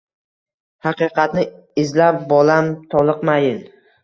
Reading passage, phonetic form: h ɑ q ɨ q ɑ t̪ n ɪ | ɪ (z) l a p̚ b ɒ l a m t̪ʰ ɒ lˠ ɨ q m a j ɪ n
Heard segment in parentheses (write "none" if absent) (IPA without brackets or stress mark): z